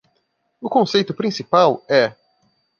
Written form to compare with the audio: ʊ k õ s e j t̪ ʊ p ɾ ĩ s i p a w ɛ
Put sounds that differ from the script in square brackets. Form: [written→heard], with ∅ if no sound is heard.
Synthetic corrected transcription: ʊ k õ s e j t̪ ʊ p ɾ ĩ s i p a w ɛ